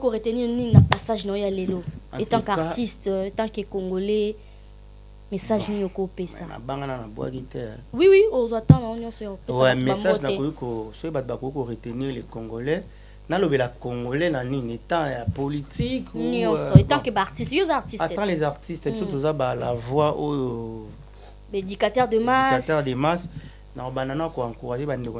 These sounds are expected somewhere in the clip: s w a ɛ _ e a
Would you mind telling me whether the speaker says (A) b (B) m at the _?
B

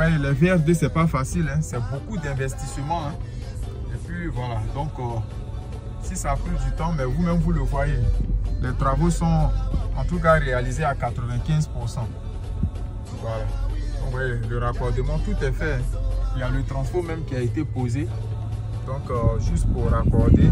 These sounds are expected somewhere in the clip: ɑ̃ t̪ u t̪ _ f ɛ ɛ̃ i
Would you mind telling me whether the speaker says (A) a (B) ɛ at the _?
B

